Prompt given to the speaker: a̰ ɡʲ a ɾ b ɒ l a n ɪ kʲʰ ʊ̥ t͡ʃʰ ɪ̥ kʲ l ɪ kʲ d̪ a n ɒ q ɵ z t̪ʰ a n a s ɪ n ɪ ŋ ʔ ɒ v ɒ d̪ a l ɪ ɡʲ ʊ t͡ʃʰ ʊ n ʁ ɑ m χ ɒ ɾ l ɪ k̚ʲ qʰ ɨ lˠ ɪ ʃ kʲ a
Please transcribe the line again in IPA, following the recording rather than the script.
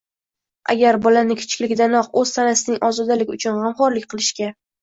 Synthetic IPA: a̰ ɡʲ a ɾ b ɒ l a n ɪ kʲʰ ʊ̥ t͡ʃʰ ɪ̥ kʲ l ɪ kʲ d̪ a n ɒ q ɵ z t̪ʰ a n a s ɪ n ɪ ŋ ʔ ɒ z ɒ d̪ a l ɪ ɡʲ ʊ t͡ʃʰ ʊ n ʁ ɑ m χ ɒ ɾ l ɪ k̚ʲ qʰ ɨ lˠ ɪ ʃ kʲ a